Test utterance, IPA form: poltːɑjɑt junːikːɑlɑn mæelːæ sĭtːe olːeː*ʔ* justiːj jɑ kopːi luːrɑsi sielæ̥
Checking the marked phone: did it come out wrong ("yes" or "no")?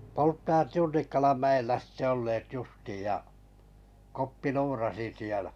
yes